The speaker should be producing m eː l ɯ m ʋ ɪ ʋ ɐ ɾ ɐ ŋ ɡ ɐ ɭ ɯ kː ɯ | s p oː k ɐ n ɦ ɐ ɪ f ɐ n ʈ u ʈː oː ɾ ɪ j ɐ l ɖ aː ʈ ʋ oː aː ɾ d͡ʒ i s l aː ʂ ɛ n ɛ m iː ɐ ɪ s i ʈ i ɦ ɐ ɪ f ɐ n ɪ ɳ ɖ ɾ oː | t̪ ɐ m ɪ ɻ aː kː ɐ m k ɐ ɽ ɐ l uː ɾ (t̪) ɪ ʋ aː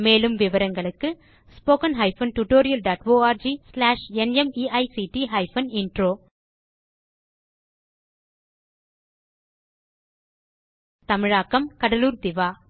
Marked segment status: incorrect: d̪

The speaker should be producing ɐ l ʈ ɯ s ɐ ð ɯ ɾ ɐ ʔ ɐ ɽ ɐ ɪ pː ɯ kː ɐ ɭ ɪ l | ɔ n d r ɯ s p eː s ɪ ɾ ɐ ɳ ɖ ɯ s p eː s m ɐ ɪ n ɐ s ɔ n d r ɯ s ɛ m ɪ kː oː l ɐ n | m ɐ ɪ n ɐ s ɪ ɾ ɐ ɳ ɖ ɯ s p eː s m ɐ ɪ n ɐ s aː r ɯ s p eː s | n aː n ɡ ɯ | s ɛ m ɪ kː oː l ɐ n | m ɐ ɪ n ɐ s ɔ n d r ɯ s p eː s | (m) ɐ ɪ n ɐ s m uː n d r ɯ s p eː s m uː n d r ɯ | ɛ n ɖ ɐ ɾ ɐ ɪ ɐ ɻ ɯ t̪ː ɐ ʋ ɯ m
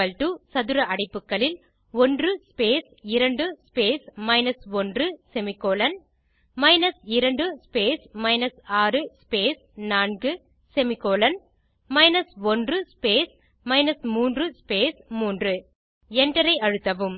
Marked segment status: correct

